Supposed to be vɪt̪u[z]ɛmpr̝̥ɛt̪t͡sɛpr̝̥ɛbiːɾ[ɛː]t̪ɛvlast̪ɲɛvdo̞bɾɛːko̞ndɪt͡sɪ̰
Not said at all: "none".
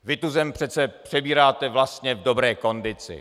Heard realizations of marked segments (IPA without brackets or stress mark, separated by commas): z, aː